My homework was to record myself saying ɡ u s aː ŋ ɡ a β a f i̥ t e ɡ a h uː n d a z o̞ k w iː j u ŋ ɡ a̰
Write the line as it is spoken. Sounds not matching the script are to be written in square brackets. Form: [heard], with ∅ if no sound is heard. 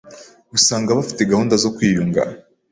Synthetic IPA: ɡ u s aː ŋ ɡ a β a f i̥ t e ɡ a h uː n d a z o̞ k w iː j u ŋ ɡ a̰